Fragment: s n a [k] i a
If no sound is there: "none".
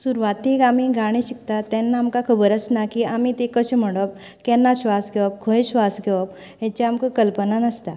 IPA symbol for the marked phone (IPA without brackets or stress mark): k